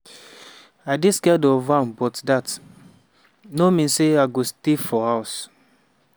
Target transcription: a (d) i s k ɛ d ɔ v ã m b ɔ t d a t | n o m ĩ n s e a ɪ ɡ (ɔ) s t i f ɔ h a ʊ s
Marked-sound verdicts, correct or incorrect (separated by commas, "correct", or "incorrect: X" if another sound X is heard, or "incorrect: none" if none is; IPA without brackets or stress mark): correct, incorrect: o